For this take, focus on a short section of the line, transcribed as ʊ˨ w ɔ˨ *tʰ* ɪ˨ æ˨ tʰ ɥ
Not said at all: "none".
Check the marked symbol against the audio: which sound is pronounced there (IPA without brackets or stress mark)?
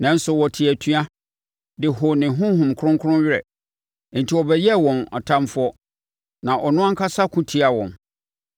tʰ